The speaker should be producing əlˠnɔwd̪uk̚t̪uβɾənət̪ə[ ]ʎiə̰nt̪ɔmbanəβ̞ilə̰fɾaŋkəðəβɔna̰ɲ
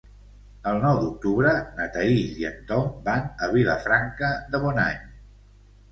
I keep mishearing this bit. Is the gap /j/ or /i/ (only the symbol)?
i